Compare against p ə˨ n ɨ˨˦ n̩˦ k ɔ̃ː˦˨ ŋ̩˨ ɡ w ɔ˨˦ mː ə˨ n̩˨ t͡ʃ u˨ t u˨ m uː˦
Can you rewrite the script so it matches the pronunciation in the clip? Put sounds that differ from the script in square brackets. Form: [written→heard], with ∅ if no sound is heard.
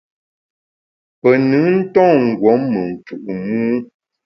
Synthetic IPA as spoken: p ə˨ n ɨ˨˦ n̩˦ [k→t] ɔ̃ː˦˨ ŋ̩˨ ɡ w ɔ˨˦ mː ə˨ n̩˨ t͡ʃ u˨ [t→ʔ] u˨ m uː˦